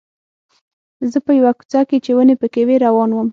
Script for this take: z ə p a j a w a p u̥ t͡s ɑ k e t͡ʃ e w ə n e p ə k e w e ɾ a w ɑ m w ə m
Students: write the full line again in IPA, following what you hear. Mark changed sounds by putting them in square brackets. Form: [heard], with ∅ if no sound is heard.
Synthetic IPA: z ə p [ə] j a w a [k] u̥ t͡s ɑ k e t͡ʃ e w ə n e p ə k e w e ɾ a w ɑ [n] w ə m

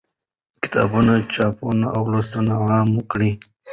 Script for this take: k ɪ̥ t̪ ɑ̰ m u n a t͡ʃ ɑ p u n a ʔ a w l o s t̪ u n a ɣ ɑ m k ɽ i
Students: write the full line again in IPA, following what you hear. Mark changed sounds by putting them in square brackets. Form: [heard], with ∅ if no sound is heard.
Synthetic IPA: k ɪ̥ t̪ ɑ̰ [b] u n a t͡ʃ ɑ p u n a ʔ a w l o s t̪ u n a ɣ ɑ m k ɽ i

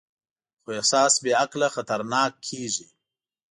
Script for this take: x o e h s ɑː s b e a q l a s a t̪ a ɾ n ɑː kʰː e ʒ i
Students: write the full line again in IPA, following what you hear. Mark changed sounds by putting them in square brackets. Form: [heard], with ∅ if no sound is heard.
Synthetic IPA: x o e h s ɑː s b e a [k] l a [x] a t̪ a ɾ n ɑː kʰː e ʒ i

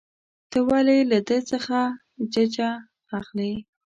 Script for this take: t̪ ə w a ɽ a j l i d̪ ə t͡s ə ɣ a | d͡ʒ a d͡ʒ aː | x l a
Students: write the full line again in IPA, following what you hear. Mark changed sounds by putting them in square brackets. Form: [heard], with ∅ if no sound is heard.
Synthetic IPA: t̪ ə w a [l] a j l [a] d̪ ə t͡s ə [x] a | d͡ʒ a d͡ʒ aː | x l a

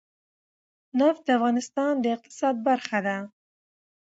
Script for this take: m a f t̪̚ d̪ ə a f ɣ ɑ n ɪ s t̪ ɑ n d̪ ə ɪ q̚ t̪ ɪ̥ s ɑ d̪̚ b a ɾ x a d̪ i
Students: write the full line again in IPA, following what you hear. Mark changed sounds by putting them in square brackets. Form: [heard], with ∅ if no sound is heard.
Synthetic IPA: [n] a f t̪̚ d̪ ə a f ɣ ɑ n ɪ s t̪ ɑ n d̪ ə ɪ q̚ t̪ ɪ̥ s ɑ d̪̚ b a ɾ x a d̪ [a]

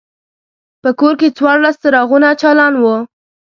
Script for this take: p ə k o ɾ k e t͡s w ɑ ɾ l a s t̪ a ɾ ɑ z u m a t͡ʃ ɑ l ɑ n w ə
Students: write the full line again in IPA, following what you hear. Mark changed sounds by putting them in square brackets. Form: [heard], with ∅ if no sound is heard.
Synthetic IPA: p ə k o ɾ k e t͡s w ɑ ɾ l a s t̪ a ɾ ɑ [ɣ] u [n] a t͡ʃ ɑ l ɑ n w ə

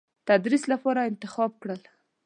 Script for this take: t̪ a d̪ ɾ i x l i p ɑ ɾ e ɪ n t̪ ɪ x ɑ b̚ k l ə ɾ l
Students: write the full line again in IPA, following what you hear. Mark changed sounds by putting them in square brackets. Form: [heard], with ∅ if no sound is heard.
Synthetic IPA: t̪ a d̪ ɾ i [s] l [a] p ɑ ɾ [a] ɪ n t̪ ɪ x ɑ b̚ k [ɽ] ə [∅] l

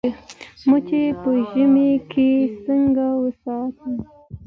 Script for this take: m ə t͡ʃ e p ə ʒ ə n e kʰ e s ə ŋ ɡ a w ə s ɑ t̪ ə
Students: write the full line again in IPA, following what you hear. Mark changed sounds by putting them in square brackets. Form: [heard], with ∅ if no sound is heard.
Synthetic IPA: m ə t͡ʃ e p ə ʒ ə [m] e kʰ e s ə ŋ ɡ a w ə s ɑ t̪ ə

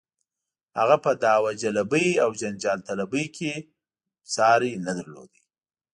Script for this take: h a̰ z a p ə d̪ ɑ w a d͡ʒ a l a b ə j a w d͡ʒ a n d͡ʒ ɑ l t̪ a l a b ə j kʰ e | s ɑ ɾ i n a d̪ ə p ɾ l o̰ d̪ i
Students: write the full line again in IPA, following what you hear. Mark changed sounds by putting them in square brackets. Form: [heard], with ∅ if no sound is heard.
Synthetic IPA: h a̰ [ɣ] a p ə d̪ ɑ w a d͡ʒ a l a b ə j a w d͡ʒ a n d͡ʒ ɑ l t̪ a l a b ə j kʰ e | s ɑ ɾ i n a d̪ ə [∅] ɾ l o̰ d̪ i

